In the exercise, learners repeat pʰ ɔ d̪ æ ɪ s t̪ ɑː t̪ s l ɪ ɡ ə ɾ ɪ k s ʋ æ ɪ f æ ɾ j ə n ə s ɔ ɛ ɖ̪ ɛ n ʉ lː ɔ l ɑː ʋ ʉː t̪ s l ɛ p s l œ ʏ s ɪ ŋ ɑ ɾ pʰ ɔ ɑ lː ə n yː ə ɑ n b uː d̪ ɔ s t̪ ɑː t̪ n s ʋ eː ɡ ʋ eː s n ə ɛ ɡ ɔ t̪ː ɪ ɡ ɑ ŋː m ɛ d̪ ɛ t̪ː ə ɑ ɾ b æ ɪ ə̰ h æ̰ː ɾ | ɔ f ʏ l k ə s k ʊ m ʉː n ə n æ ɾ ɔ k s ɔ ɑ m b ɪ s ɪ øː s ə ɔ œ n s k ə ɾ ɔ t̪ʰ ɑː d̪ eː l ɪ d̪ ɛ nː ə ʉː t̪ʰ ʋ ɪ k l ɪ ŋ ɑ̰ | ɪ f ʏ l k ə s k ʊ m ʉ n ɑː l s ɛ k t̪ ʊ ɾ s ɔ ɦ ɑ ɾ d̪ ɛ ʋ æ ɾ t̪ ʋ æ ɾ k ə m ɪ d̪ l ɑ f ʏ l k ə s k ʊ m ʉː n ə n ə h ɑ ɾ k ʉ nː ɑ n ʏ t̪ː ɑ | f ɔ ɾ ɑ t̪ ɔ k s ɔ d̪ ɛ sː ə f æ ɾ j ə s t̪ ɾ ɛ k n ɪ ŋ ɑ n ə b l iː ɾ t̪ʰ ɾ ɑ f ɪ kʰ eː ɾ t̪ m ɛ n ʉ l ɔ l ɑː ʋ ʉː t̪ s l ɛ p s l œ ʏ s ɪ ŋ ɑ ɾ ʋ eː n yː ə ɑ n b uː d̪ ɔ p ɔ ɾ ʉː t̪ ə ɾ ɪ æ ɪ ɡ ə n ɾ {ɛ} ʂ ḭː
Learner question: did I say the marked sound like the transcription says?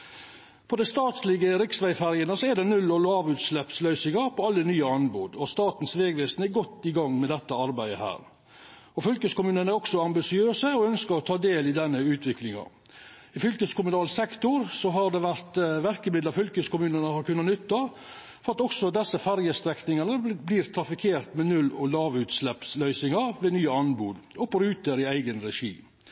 yes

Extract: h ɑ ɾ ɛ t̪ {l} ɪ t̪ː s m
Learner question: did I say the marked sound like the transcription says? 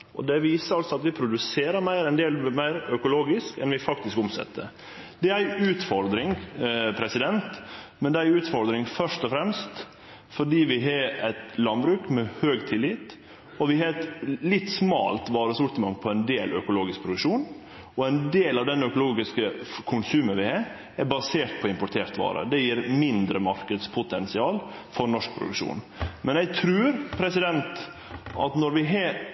yes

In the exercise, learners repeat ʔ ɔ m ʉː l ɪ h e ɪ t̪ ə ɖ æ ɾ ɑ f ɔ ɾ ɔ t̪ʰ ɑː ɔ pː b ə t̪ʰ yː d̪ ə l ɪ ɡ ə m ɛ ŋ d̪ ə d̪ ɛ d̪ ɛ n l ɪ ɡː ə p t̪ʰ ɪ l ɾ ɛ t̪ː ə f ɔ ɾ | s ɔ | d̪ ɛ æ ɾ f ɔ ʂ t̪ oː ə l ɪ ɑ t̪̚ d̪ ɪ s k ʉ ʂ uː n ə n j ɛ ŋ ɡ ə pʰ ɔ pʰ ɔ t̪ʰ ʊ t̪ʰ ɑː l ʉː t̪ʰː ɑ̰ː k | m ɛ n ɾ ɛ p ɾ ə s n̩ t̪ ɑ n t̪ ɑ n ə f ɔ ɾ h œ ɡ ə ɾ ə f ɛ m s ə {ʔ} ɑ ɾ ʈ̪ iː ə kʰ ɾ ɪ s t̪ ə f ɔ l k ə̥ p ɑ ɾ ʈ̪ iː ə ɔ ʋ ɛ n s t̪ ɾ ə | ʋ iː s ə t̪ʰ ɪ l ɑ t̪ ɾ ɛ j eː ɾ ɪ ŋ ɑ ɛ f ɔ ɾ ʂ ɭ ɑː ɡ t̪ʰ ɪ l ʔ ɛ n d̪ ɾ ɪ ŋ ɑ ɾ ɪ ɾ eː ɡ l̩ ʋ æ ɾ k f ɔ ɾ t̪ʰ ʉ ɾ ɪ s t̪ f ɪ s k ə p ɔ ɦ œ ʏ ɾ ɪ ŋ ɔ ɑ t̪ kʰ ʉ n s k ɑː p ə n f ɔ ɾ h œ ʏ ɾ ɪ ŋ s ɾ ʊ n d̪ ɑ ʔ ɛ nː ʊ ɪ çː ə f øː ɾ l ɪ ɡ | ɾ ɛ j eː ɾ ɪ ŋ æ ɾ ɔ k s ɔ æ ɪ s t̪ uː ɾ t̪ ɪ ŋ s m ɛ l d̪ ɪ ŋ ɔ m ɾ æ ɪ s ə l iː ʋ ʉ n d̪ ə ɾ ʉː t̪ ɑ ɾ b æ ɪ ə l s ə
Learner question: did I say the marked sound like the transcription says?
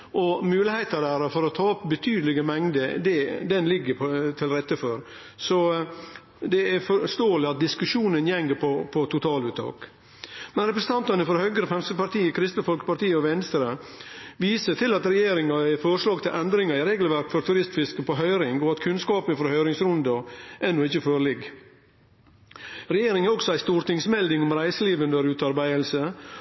no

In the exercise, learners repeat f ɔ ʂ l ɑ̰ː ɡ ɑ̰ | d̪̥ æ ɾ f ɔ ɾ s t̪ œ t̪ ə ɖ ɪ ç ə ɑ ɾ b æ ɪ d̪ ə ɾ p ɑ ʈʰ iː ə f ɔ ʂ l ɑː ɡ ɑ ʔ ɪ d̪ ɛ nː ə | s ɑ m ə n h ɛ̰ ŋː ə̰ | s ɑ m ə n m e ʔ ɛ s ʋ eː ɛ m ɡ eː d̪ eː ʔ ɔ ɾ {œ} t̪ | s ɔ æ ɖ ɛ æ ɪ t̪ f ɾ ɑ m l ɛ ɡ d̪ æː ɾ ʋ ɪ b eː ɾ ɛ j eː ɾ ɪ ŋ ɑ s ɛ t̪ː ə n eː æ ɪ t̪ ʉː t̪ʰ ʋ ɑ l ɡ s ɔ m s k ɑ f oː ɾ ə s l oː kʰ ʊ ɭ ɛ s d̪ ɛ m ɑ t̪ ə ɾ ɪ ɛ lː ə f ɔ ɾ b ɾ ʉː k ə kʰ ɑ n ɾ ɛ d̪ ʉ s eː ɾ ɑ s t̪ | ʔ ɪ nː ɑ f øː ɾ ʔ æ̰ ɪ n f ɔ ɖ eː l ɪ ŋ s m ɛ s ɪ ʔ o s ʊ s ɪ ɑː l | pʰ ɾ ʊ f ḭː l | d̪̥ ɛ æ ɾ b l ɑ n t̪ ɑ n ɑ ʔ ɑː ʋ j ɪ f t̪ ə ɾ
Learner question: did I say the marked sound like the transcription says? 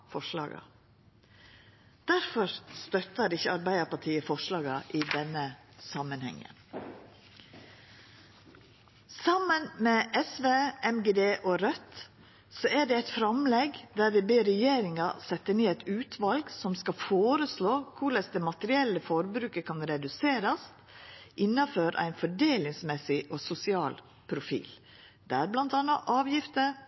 yes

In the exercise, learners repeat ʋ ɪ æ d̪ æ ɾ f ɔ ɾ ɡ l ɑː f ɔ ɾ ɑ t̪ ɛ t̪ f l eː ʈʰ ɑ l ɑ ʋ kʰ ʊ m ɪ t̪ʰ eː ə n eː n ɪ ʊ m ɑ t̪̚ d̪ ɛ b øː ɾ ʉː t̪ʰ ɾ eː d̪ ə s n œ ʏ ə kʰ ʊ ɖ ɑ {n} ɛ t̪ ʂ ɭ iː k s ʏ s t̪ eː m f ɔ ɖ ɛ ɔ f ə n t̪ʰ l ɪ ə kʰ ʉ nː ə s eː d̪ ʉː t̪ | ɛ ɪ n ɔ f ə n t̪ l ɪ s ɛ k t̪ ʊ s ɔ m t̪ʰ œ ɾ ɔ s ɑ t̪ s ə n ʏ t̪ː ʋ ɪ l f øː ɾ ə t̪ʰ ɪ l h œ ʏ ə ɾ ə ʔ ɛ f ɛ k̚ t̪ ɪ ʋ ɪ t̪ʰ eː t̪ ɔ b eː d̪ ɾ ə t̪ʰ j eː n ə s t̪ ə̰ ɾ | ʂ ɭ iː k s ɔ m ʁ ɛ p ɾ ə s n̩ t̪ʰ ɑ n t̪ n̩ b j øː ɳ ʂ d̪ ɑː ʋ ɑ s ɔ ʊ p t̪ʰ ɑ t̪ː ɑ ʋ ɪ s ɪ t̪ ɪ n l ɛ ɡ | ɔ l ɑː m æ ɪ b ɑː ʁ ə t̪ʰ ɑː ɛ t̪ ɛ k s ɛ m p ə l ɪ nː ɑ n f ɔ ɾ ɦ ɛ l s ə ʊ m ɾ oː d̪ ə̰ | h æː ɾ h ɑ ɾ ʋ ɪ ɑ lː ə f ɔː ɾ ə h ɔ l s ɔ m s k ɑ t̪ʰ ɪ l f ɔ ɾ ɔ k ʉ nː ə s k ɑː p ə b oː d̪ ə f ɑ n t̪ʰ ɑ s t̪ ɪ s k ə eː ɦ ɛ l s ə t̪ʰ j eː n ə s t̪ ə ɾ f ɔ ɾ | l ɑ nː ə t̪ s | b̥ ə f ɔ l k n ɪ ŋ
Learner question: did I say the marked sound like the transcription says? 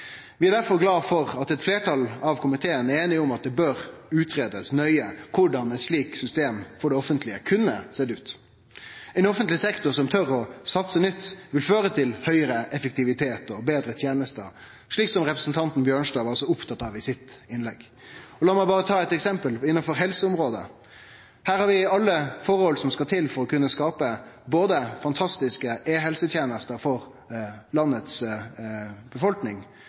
yes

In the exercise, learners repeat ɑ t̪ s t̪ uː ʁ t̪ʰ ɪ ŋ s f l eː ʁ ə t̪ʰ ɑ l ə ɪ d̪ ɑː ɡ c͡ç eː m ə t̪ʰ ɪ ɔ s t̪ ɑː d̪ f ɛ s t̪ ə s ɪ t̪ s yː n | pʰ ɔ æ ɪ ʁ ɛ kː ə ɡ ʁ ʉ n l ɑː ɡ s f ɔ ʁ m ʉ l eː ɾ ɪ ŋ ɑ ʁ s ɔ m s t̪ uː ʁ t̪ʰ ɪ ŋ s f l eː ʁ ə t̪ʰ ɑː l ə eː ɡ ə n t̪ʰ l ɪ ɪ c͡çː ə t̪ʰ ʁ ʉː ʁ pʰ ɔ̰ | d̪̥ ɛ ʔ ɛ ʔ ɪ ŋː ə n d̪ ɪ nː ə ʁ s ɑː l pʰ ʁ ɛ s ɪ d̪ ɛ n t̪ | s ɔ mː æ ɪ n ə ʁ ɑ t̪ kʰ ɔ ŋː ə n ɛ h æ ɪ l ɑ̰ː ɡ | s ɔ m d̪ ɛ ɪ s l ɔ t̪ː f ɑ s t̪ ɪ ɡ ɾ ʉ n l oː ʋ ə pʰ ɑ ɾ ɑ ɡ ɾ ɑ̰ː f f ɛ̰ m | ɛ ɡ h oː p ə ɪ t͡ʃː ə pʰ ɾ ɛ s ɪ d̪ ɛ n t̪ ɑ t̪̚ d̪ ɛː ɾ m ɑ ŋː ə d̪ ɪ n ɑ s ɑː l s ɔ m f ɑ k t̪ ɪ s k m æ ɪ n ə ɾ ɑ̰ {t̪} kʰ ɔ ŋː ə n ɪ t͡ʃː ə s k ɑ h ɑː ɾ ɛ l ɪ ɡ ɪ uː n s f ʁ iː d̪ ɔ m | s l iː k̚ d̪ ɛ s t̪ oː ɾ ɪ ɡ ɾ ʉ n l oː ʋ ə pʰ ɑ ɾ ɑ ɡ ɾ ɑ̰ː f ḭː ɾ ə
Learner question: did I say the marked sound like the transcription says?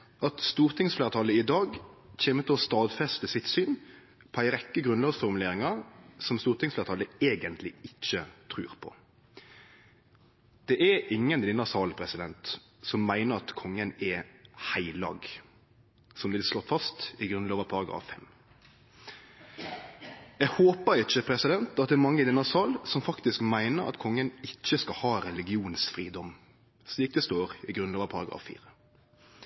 yes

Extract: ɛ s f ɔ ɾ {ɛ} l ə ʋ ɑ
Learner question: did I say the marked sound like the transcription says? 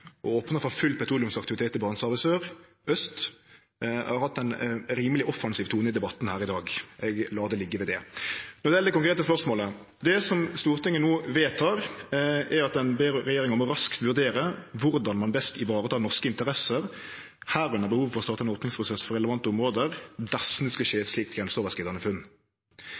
yes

